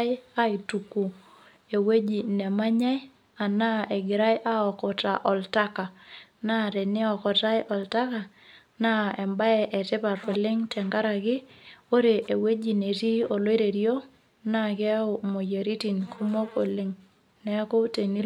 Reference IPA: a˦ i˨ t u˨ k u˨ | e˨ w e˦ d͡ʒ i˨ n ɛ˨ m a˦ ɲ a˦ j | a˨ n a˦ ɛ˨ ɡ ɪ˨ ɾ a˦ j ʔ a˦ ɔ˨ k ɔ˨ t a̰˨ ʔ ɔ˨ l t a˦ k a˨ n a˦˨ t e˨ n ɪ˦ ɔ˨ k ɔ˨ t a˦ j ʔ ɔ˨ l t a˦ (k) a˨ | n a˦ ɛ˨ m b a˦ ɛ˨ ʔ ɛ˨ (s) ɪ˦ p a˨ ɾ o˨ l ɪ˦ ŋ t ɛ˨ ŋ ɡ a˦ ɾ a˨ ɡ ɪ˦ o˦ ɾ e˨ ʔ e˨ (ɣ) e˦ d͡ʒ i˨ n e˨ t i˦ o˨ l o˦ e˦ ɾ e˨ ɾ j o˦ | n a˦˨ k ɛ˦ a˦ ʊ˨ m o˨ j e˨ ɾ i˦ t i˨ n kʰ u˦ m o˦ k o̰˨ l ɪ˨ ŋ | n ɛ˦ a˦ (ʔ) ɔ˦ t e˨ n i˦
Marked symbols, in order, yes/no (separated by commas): yes, no, no, no